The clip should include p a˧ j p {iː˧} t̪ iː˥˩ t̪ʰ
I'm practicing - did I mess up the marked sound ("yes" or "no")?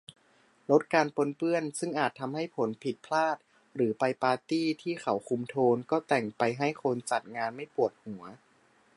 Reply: yes